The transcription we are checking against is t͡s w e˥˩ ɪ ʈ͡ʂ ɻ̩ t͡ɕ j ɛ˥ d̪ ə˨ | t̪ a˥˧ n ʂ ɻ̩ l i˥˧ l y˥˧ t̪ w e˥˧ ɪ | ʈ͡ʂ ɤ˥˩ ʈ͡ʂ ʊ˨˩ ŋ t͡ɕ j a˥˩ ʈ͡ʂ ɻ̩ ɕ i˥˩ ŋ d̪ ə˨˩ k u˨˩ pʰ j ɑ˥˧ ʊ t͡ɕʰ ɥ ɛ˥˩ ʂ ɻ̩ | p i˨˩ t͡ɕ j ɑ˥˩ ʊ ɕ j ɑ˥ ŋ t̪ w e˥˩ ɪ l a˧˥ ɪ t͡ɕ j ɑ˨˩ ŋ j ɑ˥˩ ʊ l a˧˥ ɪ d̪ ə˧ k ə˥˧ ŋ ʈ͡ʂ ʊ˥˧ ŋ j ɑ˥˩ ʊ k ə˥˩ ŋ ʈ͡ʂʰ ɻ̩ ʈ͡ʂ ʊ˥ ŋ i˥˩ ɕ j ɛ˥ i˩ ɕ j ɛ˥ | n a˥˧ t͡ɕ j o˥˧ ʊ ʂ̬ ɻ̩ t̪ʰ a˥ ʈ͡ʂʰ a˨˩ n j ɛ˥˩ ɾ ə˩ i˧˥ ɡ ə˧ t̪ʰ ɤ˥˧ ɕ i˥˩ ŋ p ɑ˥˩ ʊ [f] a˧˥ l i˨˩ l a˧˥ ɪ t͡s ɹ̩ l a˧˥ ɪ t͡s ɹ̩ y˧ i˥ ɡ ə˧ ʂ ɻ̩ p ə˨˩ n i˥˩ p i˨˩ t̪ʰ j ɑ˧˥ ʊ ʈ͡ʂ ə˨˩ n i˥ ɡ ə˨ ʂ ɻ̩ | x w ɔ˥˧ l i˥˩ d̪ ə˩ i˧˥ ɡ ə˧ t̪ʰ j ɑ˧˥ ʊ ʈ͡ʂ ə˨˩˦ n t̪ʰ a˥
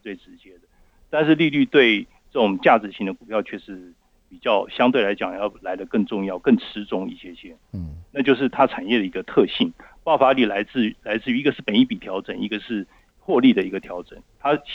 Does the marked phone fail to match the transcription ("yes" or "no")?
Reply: no